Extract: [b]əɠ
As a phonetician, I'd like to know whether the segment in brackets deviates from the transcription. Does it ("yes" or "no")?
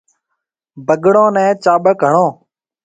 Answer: no